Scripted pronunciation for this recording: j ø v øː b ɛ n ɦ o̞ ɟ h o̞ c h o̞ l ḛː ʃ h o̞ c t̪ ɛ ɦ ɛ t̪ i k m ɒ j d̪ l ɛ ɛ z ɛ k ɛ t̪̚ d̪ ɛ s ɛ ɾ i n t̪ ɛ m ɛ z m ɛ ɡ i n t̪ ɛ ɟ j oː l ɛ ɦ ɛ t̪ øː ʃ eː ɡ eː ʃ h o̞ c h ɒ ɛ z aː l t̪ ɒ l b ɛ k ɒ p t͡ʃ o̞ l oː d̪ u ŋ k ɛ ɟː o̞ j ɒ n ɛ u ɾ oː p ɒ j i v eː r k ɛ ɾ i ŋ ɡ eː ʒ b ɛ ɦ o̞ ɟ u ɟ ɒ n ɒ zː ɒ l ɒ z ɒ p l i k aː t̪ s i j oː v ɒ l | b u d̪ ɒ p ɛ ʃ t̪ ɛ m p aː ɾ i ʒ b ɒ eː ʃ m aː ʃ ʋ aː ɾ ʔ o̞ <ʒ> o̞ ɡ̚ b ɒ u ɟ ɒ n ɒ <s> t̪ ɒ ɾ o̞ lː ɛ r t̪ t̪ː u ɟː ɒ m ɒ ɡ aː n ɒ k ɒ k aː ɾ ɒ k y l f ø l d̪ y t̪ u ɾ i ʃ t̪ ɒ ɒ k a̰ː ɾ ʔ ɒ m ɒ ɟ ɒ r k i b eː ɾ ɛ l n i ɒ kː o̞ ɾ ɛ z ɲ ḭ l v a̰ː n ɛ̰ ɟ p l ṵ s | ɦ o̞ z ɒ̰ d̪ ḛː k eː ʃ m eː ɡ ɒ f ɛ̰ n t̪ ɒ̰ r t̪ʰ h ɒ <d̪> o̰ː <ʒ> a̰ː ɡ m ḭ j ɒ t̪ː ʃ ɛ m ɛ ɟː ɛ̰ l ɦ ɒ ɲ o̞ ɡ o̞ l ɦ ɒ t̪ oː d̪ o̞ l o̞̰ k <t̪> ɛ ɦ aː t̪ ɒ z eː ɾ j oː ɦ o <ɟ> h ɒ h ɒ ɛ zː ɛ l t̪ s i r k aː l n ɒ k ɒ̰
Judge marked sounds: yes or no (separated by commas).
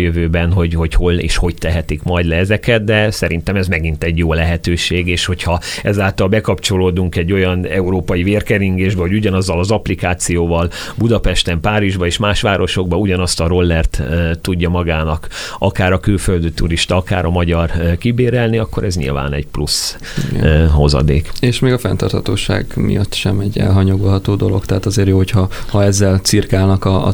no, yes, no, no, yes, no